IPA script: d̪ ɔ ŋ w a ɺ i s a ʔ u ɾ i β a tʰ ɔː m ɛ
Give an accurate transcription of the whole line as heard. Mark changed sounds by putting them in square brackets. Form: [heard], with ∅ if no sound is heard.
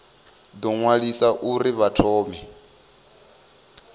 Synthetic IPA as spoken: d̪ ɔ ŋ w a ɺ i s a ʔ u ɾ i β a tʰ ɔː m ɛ